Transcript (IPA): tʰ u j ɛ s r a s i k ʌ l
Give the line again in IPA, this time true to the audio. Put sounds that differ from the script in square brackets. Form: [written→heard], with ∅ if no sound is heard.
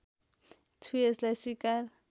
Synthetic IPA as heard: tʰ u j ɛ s [r→l] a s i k [ʌ→a] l